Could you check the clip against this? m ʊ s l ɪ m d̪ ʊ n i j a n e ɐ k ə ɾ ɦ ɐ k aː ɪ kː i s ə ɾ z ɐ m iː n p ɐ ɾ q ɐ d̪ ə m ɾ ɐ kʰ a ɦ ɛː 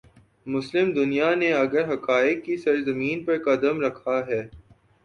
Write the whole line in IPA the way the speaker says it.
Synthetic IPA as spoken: m ʊ s l ɪ m d̪ ʊ n i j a n e ɐ ɡ ə ɾ ɦ ɐ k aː ɪ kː i s ɐ ɾ z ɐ m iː n p ɐ ɾ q ɐ d̪ ə m ɾ ɐ kʰ a ɦ ɛː